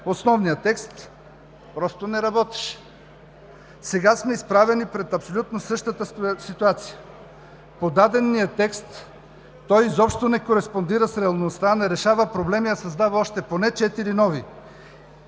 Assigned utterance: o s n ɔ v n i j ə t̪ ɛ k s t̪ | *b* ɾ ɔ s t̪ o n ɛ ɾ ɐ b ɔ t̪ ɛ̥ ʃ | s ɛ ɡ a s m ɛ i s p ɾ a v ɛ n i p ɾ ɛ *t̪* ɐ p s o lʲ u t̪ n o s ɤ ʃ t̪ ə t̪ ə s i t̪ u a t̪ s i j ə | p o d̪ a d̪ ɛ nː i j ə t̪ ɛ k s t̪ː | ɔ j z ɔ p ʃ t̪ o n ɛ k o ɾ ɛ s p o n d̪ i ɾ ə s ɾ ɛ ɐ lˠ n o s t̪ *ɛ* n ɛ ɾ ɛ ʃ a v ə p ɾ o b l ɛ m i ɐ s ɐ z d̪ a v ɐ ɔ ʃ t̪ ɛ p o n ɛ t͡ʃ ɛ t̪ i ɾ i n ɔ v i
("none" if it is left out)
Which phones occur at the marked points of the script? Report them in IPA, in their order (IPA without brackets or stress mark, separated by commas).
p, t̪, a